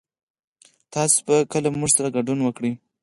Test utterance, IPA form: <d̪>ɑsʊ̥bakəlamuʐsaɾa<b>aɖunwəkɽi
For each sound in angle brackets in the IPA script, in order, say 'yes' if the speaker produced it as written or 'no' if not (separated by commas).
no, no